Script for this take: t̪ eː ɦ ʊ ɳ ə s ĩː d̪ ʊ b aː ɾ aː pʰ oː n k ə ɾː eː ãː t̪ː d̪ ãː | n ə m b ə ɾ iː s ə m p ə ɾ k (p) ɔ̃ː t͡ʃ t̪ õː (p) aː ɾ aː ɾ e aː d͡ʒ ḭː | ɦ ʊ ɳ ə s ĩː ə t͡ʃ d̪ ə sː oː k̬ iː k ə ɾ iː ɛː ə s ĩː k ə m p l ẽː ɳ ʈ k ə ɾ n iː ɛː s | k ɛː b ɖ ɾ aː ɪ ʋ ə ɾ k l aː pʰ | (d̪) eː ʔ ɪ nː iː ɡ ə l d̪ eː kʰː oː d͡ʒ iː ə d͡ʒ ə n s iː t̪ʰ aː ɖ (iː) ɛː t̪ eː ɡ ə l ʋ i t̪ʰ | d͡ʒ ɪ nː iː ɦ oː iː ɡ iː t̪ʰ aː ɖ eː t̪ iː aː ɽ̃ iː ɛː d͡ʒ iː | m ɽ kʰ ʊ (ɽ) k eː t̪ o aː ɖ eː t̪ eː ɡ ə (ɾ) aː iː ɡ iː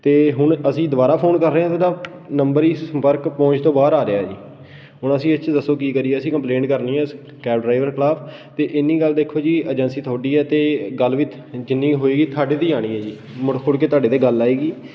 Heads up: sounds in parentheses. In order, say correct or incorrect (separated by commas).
correct, incorrect, incorrect, correct, correct, incorrect